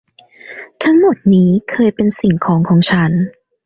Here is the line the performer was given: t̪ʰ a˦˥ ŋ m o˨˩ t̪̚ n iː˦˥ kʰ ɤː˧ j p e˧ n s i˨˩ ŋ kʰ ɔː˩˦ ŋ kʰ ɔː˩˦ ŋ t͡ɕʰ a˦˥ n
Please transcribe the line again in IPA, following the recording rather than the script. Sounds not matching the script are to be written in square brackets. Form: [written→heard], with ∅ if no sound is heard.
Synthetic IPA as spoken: t̪ʰ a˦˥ ŋ m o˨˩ t̪̚ n iː˦˥ kʰ ɤː˧ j p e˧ n s i˨˩ ŋ kʰ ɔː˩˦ ŋ kʰ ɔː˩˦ ŋ t͡ɕʰ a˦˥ n